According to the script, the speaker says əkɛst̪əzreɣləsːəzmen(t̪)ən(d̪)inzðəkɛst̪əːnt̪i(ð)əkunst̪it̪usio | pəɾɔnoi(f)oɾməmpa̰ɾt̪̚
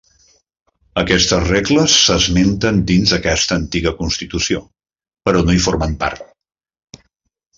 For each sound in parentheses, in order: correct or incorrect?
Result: correct, correct, incorrect, correct

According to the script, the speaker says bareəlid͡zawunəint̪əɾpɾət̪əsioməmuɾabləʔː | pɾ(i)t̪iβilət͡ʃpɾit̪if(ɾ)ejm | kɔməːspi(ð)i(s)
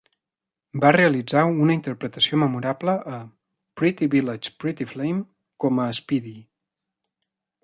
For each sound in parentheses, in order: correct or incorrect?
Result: correct, incorrect, correct, incorrect

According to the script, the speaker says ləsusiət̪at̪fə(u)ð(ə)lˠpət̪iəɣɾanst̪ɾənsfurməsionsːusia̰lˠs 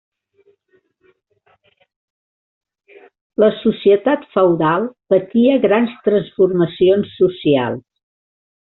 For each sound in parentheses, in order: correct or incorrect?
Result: incorrect, incorrect

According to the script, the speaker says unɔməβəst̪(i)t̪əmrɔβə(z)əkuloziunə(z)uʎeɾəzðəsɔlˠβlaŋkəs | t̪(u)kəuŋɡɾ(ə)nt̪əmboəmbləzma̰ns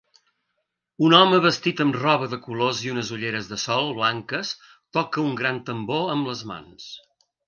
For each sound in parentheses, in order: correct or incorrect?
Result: correct, incorrect, correct, incorrect, incorrect

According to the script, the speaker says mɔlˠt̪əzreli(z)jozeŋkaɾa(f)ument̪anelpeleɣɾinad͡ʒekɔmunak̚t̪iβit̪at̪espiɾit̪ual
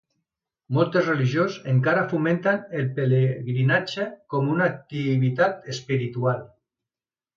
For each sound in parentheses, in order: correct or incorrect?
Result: incorrect, correct

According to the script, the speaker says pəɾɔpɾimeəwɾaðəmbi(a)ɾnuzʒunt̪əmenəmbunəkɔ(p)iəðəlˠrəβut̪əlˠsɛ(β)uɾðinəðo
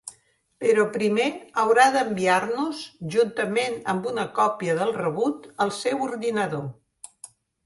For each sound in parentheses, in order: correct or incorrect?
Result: correct, correct, incorrect

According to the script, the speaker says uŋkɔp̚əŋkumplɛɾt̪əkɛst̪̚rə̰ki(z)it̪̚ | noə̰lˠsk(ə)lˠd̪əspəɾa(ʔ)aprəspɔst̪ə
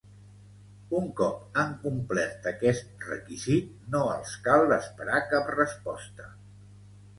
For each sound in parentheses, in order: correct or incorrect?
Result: correct, incorrect, incorrect

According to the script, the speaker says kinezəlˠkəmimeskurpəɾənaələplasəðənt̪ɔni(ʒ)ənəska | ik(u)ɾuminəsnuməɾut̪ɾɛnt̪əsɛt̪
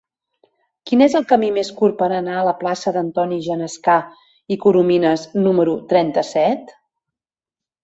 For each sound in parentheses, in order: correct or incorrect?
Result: correct, correct

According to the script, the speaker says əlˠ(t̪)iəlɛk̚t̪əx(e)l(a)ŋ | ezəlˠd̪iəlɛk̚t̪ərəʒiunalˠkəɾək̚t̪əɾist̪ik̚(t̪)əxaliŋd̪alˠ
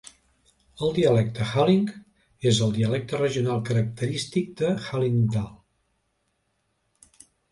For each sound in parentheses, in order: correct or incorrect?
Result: incorrect, incorrect, incorrect, incorrect

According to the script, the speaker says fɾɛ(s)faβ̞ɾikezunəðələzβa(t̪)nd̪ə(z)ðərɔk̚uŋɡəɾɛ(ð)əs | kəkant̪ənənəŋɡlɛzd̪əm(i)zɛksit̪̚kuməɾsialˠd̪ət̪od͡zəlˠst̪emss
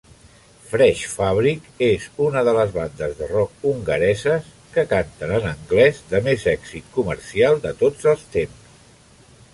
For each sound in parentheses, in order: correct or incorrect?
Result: incorrect, incorrect, correct, incorrect, incorrect

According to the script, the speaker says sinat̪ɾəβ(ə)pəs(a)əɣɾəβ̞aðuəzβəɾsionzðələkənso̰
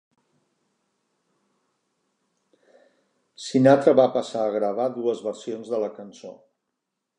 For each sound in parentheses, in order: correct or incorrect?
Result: incorrect, correct

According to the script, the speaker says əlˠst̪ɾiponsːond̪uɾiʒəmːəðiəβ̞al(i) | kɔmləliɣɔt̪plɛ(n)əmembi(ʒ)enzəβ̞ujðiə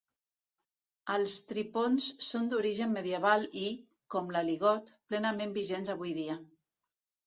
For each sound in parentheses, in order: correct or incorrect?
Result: correct, correct, correct

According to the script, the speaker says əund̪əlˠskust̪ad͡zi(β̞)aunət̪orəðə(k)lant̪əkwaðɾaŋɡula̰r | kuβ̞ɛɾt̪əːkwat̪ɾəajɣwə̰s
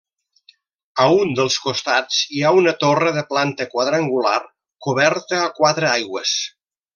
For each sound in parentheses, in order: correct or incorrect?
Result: incorrect, incorrect

